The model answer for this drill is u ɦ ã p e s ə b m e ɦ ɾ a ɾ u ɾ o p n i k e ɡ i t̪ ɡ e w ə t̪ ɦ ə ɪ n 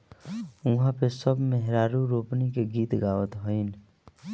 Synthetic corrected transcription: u ɦ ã p e s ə b m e ɦ ɾ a ɾ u ɾ o p n i k e ɡ i t̪ ɡ a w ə t̪ ɦ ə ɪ n